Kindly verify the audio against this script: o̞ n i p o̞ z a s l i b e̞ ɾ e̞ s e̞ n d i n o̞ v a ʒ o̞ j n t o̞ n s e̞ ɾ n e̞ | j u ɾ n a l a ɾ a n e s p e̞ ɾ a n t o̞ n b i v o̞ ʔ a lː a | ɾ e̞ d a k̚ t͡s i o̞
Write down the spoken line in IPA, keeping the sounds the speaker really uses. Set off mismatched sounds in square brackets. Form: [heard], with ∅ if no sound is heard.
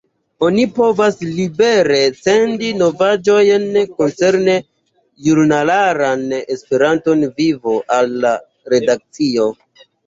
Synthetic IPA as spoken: o̞ n i p o̞ [v] a s l i b e̞ ɾ e̞ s e̞ n d i n o̞ v a [d͡ʒ] o̞ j n [k] o̞ n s e̞ ɾ n e̞ | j u ɾ n a l a ɾ a n e s p e̞ ɾ a n t o̞ n [v] i v o̞ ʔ a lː a | ɾ e̞ d a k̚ t͡s i o̞